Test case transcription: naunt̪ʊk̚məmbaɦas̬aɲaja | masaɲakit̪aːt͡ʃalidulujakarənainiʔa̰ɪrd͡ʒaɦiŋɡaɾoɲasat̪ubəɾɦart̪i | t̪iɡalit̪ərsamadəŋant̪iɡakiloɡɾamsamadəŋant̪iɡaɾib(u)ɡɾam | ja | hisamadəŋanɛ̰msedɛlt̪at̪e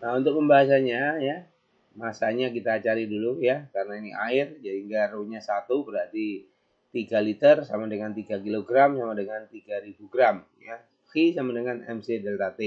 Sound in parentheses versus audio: correct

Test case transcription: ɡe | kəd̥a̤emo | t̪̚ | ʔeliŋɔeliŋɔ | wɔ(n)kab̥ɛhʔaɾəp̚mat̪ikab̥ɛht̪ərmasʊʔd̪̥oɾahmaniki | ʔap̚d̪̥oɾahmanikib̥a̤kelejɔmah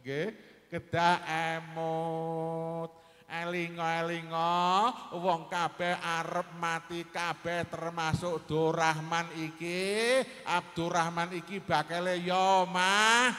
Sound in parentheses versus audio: incorrect: ŋ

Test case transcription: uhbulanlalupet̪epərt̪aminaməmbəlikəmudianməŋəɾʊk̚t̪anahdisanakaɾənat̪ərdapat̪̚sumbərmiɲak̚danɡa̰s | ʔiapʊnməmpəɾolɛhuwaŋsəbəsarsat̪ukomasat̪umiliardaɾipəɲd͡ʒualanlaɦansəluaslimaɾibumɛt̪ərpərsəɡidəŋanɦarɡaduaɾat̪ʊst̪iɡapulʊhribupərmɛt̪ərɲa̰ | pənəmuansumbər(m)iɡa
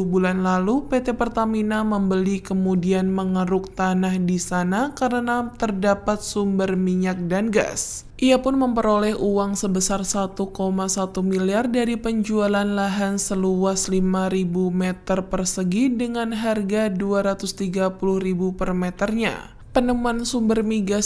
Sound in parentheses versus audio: correct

